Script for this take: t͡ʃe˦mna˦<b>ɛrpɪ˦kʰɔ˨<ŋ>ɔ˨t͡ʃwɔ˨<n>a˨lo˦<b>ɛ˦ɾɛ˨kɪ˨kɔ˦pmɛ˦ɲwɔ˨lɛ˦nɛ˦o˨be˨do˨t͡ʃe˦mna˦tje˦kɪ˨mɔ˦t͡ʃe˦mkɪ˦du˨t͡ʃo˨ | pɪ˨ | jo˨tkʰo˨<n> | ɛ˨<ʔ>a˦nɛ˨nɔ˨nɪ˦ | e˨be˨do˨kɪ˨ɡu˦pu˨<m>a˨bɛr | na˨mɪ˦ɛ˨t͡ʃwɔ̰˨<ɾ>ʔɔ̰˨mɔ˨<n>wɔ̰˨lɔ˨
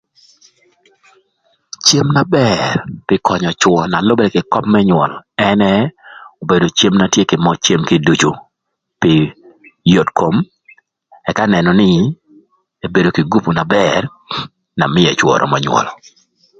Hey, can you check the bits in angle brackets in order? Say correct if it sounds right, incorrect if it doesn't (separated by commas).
correct, incorrect, correct, correct, incorrect, incorrect, incorrect, correct, incorrect